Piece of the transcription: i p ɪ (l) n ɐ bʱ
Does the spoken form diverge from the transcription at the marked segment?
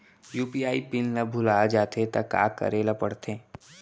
no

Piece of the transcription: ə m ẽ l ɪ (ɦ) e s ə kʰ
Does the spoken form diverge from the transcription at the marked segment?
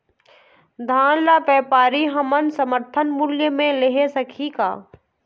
no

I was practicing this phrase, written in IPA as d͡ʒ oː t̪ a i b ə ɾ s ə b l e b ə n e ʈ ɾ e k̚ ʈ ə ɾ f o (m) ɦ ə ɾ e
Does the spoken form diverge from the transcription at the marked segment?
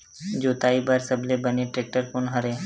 yes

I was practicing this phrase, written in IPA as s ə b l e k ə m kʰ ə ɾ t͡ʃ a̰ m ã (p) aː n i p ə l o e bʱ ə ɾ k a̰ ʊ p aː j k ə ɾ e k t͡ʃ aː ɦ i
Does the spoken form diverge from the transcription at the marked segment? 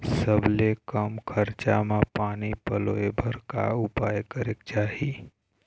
no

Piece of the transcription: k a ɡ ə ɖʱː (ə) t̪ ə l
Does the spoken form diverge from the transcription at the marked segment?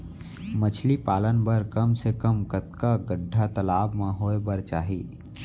yes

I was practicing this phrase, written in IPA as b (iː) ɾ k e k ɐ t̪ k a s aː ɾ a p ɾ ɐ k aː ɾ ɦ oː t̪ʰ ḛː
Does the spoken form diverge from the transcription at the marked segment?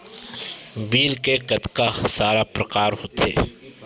no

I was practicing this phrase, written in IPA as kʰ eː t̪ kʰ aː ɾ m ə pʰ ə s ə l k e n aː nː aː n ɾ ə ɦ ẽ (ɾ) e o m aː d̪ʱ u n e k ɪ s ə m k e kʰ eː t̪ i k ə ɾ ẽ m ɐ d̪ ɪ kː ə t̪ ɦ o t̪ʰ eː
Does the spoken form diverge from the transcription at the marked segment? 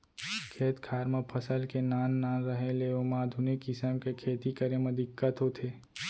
yes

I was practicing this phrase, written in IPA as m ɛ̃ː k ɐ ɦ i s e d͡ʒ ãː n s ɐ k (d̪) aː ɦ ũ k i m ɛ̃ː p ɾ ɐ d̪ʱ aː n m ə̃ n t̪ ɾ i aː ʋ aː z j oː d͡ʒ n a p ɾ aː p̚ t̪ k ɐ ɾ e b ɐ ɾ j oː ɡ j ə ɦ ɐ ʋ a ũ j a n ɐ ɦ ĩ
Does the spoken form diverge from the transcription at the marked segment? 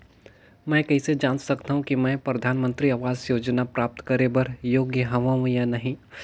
yes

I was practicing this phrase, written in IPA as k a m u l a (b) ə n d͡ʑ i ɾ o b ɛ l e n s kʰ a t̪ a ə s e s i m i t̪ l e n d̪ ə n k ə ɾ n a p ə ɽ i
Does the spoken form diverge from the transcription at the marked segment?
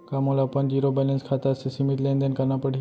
yes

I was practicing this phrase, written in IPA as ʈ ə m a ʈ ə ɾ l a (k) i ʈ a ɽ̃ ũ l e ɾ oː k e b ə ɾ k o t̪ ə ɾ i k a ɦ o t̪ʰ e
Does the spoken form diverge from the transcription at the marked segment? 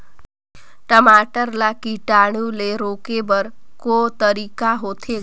no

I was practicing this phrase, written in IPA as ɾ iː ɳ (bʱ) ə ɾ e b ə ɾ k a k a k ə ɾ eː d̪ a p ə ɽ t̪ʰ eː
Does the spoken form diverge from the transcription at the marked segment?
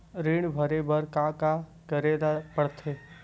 no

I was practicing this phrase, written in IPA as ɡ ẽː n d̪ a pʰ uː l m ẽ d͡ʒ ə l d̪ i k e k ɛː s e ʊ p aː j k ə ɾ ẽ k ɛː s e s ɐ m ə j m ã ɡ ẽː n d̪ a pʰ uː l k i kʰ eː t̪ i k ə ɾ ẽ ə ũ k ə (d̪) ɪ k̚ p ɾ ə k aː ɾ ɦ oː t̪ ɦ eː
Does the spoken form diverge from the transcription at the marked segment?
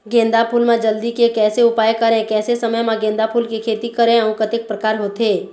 yes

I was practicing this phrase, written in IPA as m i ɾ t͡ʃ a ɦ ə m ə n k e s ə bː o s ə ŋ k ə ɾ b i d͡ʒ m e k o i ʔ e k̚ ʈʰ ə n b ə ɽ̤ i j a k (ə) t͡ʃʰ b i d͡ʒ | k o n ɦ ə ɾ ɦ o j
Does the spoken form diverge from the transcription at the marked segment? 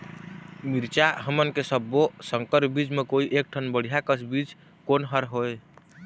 no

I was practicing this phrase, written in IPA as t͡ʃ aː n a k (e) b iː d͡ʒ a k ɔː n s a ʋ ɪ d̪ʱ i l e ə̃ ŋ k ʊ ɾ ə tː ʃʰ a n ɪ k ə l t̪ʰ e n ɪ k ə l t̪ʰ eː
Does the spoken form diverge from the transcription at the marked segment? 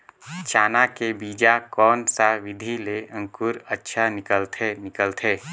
no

